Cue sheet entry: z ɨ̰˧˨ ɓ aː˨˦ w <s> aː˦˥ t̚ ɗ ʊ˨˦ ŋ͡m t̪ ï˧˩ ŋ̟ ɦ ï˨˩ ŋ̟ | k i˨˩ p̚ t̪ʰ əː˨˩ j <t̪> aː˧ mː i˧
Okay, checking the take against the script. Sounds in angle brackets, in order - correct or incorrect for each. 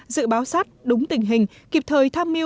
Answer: correct, incorrect

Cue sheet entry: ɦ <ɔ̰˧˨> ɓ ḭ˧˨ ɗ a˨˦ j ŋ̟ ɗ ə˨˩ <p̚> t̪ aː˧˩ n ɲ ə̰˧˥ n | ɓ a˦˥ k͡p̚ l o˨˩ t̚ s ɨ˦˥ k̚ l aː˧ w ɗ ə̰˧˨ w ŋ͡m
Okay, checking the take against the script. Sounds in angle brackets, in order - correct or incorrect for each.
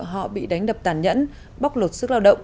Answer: correct, correct

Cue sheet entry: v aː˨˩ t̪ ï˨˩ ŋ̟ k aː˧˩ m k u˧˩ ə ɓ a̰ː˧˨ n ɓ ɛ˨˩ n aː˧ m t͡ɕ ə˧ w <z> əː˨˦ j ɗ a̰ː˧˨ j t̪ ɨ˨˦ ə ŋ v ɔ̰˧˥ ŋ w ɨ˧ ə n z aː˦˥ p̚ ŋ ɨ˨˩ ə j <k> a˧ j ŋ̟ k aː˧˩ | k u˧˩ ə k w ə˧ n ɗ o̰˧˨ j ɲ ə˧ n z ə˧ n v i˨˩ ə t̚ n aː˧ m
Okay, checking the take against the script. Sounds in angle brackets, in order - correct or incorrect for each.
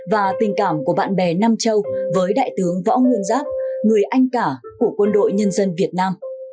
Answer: incorrect, incorrect

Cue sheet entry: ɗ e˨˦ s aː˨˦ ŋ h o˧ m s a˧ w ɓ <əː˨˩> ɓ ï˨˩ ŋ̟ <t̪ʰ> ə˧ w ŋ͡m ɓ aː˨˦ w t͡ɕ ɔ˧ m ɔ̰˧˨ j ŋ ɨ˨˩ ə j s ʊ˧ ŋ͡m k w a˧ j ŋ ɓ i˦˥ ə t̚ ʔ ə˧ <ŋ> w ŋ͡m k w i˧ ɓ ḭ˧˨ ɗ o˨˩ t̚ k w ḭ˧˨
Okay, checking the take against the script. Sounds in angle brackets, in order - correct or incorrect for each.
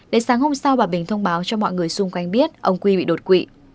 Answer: incorrect, correct, incorrect

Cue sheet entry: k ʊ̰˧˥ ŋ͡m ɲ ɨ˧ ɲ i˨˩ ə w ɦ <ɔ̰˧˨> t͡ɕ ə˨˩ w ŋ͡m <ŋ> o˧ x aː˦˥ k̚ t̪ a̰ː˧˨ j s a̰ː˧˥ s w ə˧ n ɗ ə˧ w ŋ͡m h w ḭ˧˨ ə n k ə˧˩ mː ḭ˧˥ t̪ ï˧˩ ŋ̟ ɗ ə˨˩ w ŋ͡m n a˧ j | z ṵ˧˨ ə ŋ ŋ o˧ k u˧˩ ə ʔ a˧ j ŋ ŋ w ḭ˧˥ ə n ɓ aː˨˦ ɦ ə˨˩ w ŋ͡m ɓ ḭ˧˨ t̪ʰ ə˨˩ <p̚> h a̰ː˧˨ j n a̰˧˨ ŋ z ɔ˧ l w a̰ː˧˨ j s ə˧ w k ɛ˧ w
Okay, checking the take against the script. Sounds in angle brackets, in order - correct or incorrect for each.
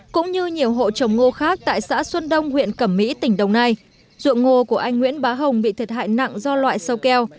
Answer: incorrect, correct, incorrect

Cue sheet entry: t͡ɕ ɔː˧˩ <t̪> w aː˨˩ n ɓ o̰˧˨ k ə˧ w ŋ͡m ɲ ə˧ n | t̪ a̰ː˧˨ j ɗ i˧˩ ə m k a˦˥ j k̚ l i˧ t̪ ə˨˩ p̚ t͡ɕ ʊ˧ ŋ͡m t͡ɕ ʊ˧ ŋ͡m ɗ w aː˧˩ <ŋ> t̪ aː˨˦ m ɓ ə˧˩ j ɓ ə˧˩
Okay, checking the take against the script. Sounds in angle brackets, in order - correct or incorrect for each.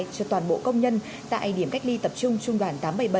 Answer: correct, incorrect

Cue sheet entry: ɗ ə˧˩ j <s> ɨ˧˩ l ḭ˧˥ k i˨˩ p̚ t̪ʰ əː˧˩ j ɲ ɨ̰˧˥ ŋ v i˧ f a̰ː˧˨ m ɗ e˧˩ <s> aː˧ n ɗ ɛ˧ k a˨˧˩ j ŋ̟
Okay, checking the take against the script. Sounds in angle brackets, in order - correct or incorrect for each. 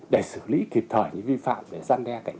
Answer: correct, incorrect

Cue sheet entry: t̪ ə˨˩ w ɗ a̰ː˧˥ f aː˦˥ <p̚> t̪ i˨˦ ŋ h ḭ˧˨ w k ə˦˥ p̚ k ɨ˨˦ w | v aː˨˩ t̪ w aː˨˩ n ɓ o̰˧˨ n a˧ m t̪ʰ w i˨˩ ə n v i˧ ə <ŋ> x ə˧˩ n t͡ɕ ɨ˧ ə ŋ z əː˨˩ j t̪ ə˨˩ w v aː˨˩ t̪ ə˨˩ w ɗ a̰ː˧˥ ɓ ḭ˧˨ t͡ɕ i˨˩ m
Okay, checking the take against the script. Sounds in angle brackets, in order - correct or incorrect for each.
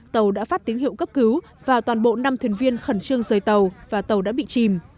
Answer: incorrect, incorrect

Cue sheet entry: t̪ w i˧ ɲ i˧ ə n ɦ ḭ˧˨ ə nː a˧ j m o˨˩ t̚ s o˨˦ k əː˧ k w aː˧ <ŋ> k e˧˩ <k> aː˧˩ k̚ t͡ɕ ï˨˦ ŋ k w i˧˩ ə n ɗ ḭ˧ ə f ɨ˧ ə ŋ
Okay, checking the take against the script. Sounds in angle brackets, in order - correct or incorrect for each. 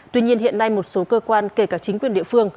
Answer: incorrect, correct

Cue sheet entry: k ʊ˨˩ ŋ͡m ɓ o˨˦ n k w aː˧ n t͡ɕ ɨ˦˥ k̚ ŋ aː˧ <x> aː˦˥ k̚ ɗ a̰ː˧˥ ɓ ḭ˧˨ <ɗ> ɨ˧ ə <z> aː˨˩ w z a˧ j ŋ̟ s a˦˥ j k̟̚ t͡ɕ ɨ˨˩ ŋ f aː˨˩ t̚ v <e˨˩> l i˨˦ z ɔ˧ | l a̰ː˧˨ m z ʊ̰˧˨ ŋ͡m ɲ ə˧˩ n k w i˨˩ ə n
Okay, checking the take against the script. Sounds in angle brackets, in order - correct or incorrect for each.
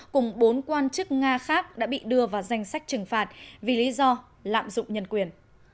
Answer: correct, correct, incorrect, incorrect

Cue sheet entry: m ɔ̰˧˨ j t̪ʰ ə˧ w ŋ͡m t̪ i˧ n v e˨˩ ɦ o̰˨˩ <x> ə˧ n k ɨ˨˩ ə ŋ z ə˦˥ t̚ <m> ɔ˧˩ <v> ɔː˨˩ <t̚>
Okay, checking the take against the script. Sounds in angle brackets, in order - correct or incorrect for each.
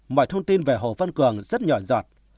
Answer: incorrect, incorrect, incorrect, correct

